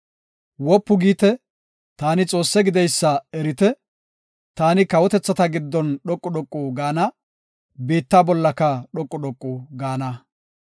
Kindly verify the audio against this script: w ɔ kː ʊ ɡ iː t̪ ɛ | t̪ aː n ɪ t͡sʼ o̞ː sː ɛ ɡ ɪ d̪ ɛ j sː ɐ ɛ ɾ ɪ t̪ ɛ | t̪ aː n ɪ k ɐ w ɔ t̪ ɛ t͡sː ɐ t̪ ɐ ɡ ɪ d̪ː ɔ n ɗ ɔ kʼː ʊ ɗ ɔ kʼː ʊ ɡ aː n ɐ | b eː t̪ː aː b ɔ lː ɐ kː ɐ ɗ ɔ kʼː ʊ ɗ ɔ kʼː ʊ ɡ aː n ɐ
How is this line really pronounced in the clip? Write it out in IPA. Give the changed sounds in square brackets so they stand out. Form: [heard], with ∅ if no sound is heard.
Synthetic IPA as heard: w ɔ [pː] ʊ ɡ iː t̪ ɛ | t̪ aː n ɪ t͡sʼ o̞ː sː ɛ ɡ ɪ d̪ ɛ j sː ɐ ɛ ɾ ɪ t̪ ɛ | t̪ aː n ɪ k ɐ w ɔ t̪ ɛ t͡sː ɐ t̪ ɐ ɡ ɪ d̪ː ɔ n ɗ ɔ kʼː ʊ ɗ ɔ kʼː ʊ ɡ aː n ɐ | b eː t̪ː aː b ɔ lː ɐ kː ɐ ɗ ɔ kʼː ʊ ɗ ɔ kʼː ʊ ɡ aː n ɐ